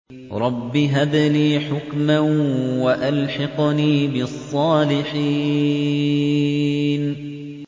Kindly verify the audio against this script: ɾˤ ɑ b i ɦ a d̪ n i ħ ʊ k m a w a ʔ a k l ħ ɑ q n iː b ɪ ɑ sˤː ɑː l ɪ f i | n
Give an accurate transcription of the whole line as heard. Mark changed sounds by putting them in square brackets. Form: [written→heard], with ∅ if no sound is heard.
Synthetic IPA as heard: ɾˤ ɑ [b→bː] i ɦ a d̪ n [i→iː] ħ ʊ k m a w a ʔ a [k→∅] l ħ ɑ q n iː b ɪ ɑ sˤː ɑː l ɪ [f→ħ] i | n